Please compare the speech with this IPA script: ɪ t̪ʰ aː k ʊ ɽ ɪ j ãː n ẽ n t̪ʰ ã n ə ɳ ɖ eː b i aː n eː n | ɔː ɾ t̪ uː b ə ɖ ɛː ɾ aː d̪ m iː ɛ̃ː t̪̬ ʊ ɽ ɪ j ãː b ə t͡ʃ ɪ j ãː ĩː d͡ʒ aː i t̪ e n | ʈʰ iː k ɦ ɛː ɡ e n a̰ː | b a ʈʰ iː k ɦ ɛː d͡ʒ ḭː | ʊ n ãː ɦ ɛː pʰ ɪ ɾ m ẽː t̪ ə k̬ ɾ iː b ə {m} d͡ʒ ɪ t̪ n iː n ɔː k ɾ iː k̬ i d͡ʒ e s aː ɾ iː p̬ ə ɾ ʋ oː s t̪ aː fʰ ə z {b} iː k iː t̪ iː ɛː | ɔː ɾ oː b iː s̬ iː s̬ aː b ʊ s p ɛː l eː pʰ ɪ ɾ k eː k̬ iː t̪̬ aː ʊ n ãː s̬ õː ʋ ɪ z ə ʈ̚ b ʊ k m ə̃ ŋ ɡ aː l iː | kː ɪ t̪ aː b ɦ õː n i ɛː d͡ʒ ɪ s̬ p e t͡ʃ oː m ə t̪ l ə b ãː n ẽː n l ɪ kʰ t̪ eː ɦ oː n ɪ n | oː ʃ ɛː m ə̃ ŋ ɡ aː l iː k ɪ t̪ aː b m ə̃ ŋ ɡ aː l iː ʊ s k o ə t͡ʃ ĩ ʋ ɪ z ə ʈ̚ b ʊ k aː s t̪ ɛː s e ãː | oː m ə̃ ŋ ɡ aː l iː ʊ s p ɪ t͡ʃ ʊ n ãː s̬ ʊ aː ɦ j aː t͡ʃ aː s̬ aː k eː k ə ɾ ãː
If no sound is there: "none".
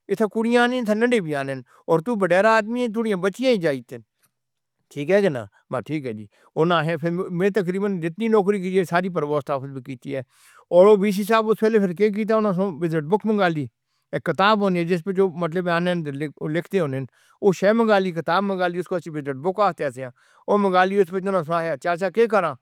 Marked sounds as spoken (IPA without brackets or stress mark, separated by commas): n, b